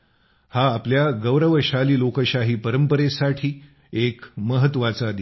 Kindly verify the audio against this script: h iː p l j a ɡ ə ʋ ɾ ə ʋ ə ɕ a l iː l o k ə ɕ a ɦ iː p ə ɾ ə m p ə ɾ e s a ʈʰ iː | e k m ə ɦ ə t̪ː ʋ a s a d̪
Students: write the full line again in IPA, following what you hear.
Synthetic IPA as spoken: h aː p l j a ɡ ə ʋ ɾ ə ʋ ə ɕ a l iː l o k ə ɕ a ɦ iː p ə ɾ ə m p ə ɾ e s a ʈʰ iː | e k m ə ɦ ə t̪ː ʋ a t͡s a d̪